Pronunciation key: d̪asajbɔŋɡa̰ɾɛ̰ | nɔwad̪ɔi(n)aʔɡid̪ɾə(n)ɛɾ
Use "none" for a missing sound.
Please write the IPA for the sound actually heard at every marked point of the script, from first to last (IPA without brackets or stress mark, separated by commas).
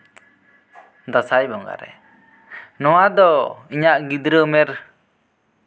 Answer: ɲ, m